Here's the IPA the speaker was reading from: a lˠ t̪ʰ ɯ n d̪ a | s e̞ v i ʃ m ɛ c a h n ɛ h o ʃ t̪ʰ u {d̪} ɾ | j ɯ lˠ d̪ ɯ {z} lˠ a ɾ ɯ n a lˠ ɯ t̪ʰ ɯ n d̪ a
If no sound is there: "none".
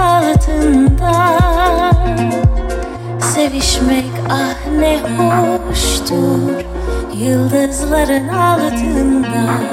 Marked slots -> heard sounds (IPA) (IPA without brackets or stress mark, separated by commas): none, z